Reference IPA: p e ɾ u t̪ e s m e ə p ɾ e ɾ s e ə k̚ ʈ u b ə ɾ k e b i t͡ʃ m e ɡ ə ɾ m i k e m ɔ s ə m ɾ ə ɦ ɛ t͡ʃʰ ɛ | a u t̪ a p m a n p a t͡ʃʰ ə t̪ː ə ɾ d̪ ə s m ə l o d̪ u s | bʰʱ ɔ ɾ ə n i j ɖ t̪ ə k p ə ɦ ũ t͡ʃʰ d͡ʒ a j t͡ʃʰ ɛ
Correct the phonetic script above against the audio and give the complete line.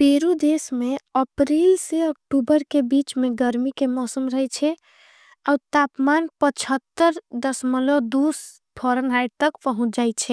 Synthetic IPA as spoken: p e ɾ u d̪ e s m e ə p ɾ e l s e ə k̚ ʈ u b ə ɾ k e b i t͡ʃ m e ɡ ə ɾ m i k e m ɔ s ə m ɾ ə ɦ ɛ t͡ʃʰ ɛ | a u t̪ a p m a n p ə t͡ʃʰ ə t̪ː ə ɾ d̪ ə s m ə l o d̪ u s | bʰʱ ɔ ɾ ə n a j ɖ t̪ ə k p ə ɦ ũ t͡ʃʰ d͡ʒ a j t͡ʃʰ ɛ